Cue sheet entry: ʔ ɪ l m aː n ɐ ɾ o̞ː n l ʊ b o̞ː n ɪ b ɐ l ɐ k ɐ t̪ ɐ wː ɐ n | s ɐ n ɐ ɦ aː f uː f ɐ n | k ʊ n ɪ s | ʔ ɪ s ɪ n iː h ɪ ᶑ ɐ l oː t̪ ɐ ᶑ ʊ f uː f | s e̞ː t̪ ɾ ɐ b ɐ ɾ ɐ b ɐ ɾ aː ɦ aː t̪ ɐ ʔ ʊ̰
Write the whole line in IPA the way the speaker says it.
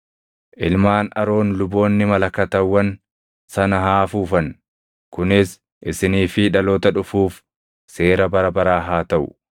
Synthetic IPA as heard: ʔ ɪ l m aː n ɐ ɾ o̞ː n l ʊ b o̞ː nː ɪ m ɐ l ɐ k ɐ t̪ ɐ wː ɐ n | s ɐ n ɐ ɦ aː f uː f ɐ n | k ʊ n ɪ s | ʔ ɪ s ɪ n iː f ɪ ᶑ ɐ l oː t̪ ɐ ᶑ ʊ f uː f | s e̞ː ɾ ɐ b ɐ ɾ ɐ b ɐ ɾ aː ɦ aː t̪ ɐ ʔ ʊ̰